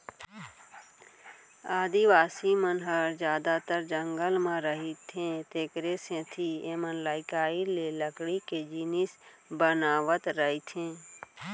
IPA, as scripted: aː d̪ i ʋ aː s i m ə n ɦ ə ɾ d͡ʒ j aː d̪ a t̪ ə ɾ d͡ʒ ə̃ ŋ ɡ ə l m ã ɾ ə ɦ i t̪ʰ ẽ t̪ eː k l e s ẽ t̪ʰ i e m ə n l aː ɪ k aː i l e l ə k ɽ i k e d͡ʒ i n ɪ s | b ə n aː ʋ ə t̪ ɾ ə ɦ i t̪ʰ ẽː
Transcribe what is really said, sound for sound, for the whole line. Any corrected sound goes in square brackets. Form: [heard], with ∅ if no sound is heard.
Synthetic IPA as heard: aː d̪ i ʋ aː s i m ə n ɦ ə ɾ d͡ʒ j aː d̪ a t̪ ə ɾ d͡ʒ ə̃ ŋ ɡ ə l m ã ɾ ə ɦ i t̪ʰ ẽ t̪ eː k [ɾ] e s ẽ t̪ʰ i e m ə n l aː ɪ k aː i l e l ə k ɽ i k e d͡ʒ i n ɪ s | b ə n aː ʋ ə t̪ ɾ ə ɦ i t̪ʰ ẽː